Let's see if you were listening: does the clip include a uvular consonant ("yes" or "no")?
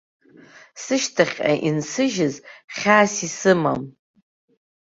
yes